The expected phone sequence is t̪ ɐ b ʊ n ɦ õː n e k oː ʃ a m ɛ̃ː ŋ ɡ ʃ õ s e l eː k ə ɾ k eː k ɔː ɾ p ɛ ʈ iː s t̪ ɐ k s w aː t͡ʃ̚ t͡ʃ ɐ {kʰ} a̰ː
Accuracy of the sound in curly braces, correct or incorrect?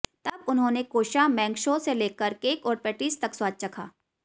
correct